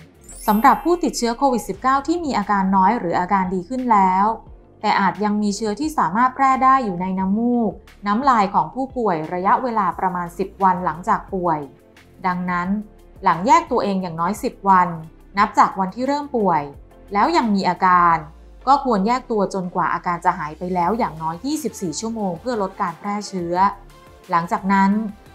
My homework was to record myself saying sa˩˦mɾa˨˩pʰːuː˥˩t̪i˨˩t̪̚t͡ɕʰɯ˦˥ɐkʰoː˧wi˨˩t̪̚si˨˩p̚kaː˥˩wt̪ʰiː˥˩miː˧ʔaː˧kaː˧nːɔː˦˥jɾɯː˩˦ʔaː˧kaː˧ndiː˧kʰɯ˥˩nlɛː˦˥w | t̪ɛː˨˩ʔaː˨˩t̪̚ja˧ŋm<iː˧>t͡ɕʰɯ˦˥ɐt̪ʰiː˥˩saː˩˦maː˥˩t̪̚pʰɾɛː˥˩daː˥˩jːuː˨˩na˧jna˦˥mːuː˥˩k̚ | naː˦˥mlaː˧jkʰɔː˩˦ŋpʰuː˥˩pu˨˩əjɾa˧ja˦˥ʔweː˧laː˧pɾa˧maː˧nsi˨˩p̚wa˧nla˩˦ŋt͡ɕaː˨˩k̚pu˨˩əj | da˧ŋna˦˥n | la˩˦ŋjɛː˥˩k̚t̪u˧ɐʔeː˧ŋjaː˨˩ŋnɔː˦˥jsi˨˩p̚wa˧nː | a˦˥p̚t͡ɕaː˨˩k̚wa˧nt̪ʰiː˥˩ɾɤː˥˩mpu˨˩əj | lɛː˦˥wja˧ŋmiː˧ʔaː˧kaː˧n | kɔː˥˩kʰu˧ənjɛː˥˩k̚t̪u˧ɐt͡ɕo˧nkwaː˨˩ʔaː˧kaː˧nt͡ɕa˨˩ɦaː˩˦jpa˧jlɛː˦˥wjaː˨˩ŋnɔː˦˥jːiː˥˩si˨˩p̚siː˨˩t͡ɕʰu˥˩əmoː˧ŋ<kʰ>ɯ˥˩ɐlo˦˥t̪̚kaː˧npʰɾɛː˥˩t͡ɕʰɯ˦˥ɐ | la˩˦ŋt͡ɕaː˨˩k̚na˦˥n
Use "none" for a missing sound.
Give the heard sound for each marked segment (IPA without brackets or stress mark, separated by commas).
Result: iː˧, pʰ